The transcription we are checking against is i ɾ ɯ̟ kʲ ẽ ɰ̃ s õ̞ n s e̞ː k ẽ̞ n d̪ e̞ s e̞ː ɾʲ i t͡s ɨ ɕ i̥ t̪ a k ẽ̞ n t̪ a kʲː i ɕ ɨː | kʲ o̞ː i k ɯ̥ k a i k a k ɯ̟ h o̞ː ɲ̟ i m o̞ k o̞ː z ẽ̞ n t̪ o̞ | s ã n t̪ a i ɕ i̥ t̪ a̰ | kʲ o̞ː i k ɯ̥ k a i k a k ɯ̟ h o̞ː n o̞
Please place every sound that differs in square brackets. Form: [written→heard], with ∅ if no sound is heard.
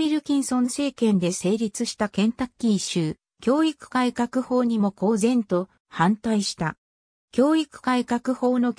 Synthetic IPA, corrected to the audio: i ɾ ɯ̟ kʲ [ẽ→ĩ] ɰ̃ s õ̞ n s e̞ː k ẽ̞ n d̪ e̞ s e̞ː ɾʲ i t͡s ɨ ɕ i̥ t̪ a k ẽ̞ n t̪ a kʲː i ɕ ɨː | kʲ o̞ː i k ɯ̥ k a i k a k ɯ̟ h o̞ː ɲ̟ i m o̞ k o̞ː z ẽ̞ n t̪ o̞ | [s→h] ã n t̪ a i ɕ i̥ t̪ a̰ | kʲ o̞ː i k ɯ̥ k a i k a k ɯ̟ h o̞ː n o̞